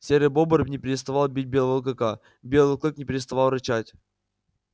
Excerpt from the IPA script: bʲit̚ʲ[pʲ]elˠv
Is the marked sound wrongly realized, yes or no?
yes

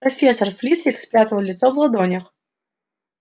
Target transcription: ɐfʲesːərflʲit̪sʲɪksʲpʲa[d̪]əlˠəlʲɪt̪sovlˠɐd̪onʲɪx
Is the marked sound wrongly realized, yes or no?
yes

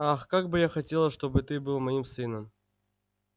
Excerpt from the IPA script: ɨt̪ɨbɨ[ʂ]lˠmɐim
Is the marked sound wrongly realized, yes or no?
yes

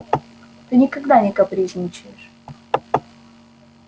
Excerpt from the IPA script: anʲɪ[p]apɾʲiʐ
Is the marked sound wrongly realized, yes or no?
yes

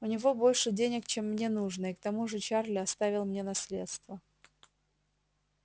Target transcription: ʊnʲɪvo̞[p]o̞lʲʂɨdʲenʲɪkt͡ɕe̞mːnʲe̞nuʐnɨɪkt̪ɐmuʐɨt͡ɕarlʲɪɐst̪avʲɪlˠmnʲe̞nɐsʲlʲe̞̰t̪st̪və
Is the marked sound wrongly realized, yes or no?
yes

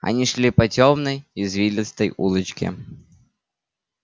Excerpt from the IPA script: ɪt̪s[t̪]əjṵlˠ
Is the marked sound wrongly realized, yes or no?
no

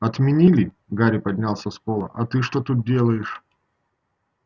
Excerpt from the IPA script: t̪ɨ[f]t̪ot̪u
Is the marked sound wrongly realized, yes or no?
yes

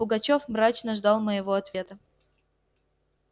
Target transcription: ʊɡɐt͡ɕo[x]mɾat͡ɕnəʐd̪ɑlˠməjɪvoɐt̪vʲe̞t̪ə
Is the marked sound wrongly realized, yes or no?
yes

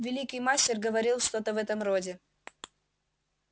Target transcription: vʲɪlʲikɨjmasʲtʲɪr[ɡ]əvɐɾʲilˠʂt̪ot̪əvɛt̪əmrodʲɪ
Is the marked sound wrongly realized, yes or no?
no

